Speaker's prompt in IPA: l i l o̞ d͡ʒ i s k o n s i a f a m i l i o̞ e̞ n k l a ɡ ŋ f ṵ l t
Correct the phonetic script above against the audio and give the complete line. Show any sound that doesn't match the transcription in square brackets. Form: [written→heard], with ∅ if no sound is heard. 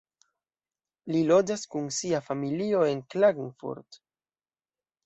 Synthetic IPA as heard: l i l o̞ d͡ʒ [i→a] s k [o→u] n s i a f a m i l i o̞ e̞ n k l a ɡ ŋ f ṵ [l→ɾ] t